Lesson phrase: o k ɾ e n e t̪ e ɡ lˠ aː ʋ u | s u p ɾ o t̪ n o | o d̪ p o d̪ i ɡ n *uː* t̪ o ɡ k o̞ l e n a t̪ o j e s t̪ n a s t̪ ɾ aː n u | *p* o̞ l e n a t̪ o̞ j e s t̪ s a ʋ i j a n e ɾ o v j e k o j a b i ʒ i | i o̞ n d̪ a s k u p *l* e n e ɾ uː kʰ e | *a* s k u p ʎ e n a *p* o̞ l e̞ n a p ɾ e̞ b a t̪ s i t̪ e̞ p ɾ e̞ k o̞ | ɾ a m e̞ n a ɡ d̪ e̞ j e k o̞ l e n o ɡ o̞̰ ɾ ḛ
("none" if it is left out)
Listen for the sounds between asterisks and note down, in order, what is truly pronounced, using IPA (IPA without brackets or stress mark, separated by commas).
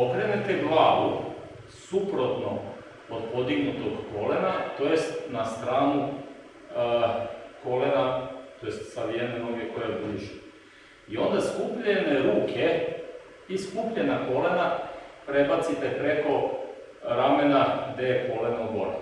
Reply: u, k, ʎ, i, k